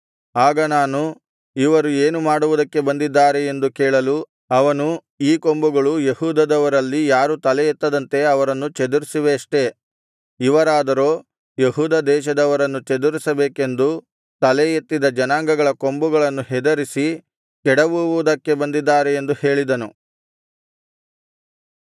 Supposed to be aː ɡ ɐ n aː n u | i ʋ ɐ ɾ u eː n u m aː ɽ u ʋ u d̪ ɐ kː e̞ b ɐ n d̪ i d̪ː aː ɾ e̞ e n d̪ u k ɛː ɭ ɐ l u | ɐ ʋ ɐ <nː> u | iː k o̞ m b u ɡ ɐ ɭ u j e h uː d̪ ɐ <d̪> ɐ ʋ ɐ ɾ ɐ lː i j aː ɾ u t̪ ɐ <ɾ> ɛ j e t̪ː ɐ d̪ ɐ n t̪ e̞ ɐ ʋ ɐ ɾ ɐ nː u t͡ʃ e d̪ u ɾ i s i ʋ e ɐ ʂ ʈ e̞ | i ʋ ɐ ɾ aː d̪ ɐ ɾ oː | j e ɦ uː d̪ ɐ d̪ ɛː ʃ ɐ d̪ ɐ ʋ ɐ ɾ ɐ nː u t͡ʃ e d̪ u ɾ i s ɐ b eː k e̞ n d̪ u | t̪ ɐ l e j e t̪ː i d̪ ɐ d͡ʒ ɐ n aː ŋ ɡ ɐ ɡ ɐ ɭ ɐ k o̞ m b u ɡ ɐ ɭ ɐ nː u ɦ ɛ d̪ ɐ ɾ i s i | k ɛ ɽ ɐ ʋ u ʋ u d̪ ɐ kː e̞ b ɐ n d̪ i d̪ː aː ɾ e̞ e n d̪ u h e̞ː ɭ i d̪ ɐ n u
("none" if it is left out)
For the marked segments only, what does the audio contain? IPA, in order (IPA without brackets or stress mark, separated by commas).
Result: n, d̪, l